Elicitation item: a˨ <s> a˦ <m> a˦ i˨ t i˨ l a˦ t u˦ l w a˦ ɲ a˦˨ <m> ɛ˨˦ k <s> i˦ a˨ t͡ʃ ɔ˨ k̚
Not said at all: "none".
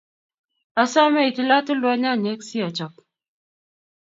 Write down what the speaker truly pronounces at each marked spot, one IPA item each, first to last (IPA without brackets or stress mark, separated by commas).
s, m, ɲ, s